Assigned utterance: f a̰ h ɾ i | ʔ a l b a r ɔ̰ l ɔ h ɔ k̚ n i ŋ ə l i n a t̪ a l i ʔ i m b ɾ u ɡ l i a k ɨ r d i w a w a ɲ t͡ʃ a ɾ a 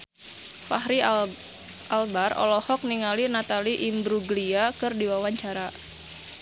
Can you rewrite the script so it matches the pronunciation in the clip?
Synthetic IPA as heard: f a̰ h ɾ i | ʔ a l b a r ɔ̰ l ɔ h ɔ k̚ n i ŋ a l i n a t̪ a l i ʔ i m b ɾ u ɡ l i a k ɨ r d i w a w a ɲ t͡ʃ a ɾ a